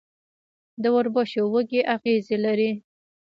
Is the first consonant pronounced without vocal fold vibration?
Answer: no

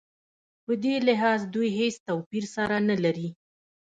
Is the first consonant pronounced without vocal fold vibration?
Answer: yes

